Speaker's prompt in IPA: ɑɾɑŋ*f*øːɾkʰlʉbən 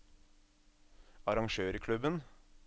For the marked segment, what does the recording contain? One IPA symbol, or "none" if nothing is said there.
ʃ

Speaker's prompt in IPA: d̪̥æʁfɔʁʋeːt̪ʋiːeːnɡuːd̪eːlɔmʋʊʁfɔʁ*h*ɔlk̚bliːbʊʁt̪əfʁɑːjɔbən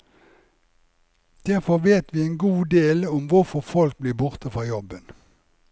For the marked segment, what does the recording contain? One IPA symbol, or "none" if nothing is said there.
f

